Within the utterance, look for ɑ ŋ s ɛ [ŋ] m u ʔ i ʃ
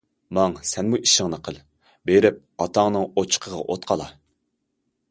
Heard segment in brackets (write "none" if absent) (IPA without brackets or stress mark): n